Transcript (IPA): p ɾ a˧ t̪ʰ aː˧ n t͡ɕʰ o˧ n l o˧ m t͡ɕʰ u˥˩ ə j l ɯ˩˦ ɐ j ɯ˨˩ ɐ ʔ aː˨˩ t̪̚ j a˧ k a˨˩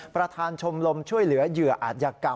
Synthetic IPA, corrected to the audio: p ɾ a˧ t̪ʰ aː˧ n t͡ɕʰ o˧ m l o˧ m t͡ɕʰ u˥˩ ə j l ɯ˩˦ ɐ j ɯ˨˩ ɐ ʔ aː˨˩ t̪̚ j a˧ k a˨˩